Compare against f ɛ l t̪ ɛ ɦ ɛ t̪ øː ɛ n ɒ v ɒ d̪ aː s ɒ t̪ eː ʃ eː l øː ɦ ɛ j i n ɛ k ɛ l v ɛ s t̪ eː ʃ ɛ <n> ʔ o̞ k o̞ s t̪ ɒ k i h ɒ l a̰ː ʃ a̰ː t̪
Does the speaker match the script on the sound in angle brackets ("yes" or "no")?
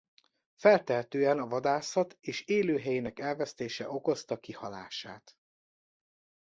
no